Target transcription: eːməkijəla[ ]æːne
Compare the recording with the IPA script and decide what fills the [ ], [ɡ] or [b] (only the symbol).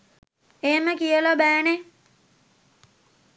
b